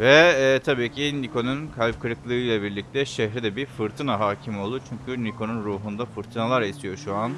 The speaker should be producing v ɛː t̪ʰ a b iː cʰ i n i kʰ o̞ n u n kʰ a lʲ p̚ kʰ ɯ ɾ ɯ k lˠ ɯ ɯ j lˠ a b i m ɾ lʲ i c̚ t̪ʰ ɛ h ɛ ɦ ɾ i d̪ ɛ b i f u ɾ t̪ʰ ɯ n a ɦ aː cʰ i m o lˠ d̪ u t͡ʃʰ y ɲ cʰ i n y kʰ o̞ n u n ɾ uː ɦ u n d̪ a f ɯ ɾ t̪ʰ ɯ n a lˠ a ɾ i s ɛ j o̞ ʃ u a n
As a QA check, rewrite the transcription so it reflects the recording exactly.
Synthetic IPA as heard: v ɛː t̪ʰ a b iː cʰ i n i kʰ o̞ n u n kʰ a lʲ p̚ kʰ ɯ ɾ ɯ k lˠ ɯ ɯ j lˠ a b i ɾ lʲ i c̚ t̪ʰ ɛ ʃ ɛ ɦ ɾ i d̪ ɛ b i f ɯ ɾ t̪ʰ ɯ n a ɦ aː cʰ i m o lˠ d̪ u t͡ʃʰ y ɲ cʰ y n i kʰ o̞ n u n ɾ uː ɦ u n d̪ a f ɯ ɾ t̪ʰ ɯ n a lˠ a ɾ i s i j o̞ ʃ u a n